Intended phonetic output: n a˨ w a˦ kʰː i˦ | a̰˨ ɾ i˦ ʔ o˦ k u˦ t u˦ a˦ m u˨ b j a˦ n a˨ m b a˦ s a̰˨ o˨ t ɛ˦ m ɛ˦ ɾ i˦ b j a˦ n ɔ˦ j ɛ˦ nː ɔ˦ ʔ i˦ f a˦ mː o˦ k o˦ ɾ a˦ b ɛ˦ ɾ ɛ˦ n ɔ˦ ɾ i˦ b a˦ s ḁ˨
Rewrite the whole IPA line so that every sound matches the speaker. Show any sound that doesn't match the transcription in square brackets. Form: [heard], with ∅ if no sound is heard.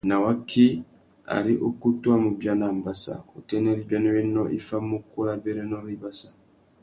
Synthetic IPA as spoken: n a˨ w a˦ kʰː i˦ | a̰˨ ɾ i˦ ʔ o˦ k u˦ t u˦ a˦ m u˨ b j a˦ n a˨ m b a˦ s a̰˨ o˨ t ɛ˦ [n] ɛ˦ ɾ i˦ b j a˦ n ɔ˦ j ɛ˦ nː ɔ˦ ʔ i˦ f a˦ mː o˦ k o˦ ɾ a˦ b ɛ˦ ɾ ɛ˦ n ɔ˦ ɾ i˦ b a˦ s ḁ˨